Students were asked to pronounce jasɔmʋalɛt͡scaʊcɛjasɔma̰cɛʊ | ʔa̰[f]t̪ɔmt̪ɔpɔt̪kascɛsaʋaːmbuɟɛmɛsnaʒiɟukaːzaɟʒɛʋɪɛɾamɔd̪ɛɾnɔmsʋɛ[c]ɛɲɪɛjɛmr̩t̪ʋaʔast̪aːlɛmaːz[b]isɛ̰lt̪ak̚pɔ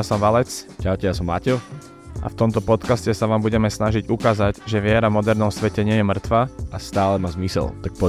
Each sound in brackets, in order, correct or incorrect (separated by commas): correct, correct, incorrect